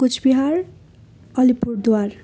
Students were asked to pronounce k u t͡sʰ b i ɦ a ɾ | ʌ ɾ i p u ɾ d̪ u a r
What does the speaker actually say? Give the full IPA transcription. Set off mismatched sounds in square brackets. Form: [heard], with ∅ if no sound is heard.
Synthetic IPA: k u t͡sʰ b i ɦ a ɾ | ʌ [l] i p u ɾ d̪ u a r